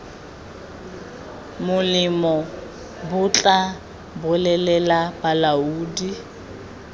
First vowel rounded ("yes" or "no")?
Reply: yes